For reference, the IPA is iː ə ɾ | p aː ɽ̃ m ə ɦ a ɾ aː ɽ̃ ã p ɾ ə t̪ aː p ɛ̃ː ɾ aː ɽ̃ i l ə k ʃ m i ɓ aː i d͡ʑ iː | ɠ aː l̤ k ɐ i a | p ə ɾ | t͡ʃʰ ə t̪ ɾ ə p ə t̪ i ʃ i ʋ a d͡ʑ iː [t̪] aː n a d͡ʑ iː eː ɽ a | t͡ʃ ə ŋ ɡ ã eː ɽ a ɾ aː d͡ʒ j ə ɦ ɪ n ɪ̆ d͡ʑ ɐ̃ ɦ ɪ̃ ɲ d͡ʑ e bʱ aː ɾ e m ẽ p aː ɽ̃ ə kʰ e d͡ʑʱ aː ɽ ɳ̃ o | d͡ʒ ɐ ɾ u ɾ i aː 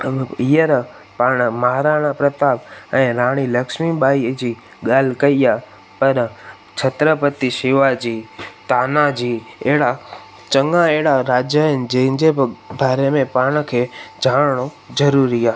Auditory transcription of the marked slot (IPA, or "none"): t̪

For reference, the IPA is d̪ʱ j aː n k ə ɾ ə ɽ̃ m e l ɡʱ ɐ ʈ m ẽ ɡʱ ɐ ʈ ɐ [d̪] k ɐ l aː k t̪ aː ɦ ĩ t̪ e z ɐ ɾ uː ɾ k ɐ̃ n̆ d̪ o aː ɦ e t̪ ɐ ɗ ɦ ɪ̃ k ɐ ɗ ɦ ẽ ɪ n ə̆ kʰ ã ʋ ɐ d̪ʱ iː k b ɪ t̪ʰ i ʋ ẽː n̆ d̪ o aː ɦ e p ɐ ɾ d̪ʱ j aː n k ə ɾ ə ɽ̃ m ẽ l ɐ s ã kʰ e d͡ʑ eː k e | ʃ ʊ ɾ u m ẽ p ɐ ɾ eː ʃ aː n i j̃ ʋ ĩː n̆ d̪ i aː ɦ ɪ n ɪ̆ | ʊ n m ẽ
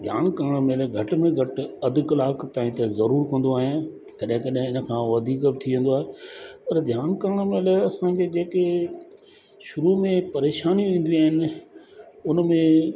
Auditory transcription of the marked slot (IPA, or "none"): d̪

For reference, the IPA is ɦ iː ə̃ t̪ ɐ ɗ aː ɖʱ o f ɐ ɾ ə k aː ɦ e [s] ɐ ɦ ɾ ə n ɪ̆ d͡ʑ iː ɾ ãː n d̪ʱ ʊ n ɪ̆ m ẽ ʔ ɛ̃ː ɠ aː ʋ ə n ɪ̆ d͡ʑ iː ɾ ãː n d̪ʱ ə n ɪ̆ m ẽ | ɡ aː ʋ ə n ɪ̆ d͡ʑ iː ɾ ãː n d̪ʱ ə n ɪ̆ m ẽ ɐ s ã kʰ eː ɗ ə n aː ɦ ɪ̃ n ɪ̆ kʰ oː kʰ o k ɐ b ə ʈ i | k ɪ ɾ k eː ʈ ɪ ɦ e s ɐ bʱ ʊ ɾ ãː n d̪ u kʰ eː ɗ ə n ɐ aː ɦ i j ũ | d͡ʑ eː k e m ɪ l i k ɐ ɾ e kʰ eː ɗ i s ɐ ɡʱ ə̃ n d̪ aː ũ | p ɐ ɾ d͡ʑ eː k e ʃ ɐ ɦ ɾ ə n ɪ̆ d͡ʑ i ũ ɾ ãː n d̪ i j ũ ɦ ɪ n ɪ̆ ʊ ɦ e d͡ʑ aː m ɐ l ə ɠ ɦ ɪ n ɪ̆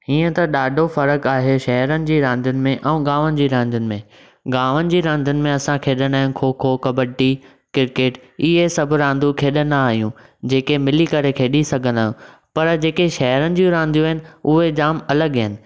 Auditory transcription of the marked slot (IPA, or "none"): ʃ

